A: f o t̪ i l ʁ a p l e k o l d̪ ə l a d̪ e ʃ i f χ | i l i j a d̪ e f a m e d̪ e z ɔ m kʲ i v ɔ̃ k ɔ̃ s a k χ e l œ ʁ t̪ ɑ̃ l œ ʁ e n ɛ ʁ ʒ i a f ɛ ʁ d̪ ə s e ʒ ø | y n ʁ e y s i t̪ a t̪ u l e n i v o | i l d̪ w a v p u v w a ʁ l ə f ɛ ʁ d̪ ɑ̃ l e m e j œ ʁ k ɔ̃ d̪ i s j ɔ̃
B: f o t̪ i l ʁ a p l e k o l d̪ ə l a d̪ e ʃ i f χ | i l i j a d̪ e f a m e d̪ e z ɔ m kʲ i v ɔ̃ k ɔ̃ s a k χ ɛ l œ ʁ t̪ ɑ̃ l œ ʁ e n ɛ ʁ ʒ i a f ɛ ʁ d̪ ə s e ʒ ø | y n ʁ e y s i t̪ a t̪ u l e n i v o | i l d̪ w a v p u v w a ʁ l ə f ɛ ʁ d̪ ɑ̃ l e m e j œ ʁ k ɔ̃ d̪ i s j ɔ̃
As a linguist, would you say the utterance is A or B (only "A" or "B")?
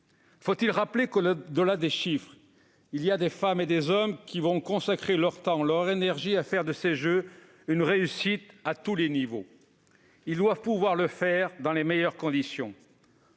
A